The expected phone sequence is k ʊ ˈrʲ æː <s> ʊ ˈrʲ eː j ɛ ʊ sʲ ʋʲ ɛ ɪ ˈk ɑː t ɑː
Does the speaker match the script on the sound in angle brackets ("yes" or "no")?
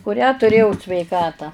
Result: no